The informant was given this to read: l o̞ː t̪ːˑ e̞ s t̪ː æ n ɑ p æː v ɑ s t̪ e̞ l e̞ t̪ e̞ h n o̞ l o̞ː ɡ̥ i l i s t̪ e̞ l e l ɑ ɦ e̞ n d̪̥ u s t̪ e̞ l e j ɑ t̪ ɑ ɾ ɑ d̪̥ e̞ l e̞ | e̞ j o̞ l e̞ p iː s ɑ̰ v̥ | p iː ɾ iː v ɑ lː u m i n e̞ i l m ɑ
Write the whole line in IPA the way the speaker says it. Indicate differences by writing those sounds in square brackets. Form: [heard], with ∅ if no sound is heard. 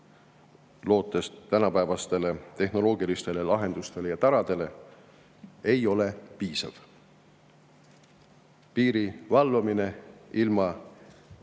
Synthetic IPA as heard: l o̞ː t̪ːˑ e̞ s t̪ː æ n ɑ p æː v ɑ s t̪ e̞ l e̞ t̪ e̞ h n o̞ l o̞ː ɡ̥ i l i s t̪ e̞ l e l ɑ ɦ e̞ n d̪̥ u s t̪ e̞ l e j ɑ t̪ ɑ ɾ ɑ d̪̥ e̞ l e̞ | e̞ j o̞ l e̞ p iː s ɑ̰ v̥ | p iː ɾ [i] v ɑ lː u m i n e̞ i l m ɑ

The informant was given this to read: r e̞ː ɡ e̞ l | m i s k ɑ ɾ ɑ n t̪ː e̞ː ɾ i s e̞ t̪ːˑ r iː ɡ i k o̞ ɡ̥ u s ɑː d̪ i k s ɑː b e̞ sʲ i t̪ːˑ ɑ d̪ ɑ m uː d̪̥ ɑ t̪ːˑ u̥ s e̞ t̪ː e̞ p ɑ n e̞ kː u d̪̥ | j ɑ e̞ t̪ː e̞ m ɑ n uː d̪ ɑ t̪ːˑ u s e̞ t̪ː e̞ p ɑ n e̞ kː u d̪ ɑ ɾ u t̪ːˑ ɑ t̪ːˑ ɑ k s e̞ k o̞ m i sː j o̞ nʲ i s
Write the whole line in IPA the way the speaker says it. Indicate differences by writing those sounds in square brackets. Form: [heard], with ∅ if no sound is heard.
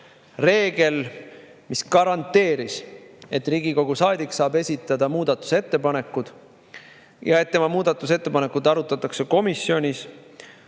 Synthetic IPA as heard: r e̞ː ɡ e̞ l | m i s k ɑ ɾ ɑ n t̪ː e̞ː ɾ i s e̞ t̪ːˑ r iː ɡ i k o̞ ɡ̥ u s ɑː d̪ i k s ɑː b e̞ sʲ i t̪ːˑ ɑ d̪ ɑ m uː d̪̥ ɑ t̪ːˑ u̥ s e̞ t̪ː e̞ p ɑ n e̞ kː u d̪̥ | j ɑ e̞ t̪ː e̞ m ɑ [m] uː d̪ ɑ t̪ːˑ u s e̞ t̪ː e̞ p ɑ n e̞ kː u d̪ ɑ ɾ u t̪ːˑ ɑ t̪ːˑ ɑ k s e̞ k o̞ m i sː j o̞ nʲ i s

